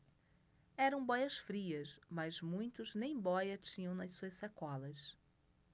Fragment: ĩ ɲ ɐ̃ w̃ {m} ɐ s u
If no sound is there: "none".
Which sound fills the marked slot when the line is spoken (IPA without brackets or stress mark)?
n